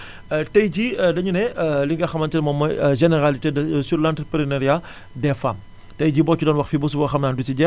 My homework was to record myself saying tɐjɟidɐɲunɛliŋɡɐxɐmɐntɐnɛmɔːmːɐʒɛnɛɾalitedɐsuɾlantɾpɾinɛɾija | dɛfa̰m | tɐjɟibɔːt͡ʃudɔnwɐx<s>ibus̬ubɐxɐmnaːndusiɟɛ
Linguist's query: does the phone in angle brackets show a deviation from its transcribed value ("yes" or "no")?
yes